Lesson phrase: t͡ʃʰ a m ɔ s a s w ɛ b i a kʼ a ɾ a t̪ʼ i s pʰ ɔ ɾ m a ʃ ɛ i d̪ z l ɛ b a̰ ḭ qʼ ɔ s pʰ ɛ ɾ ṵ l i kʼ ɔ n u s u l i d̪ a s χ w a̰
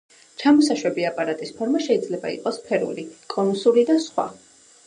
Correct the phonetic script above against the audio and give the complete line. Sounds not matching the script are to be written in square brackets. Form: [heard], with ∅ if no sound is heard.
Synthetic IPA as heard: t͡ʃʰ a m ɔ s a [ʃ] w ɛ b i a [pʼ] a ɾ a t̪ʼ i s pʰ ɔ ɾ m a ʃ ɛ i d̪ z l ɛ b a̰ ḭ qʼ ɔ s pʰ ɛ ɾ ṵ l i kʼ ɔ n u s u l i d̪ a s χ w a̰